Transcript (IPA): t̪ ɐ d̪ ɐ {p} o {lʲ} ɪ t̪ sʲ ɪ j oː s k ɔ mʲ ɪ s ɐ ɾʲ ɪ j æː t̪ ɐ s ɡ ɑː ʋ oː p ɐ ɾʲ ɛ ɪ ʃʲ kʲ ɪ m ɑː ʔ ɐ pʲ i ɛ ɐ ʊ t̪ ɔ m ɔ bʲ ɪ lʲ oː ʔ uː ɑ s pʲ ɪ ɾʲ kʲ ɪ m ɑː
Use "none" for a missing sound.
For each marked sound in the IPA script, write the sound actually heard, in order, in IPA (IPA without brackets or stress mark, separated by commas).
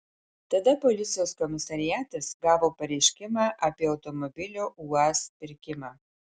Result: p, lʲ